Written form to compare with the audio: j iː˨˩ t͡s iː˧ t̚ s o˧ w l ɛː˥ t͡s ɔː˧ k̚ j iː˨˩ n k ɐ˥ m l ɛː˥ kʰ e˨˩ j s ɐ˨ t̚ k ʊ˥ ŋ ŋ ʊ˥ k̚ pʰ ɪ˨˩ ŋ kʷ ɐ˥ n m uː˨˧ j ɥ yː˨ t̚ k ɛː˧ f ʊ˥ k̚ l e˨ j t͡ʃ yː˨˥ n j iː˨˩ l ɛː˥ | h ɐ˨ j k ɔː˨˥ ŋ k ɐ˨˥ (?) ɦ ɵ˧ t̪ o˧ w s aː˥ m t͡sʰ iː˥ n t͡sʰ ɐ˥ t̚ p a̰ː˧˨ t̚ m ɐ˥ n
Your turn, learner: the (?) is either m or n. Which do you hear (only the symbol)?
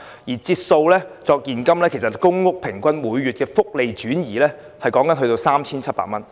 n